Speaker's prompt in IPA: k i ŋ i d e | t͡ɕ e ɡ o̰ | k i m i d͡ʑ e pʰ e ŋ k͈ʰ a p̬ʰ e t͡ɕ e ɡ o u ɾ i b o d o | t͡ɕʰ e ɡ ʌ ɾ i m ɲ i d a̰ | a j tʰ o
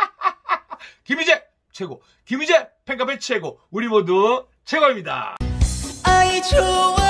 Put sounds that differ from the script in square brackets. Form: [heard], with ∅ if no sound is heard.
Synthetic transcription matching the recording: k i [m] i [d͡ʑ] e | [t͡ɕʰ] e ɡ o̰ | k i m i d͡ʑ e pʰ e ŋ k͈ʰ a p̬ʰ e [t͡ɕʰ] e ɡ o u ɾ i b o d o | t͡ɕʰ e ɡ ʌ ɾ i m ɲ i d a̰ | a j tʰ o